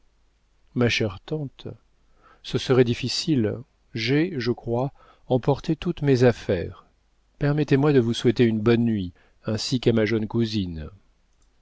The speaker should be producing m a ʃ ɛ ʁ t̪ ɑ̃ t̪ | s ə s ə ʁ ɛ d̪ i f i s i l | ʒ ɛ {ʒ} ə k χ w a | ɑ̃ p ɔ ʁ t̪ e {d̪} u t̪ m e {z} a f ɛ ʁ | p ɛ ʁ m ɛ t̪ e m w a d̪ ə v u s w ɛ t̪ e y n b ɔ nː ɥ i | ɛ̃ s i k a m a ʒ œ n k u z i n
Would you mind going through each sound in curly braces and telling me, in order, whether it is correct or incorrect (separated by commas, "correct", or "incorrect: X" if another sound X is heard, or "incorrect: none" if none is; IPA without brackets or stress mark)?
correct, incorrect: t̪, correct